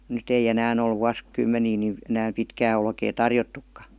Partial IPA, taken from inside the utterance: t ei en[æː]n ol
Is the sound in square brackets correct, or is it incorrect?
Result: correct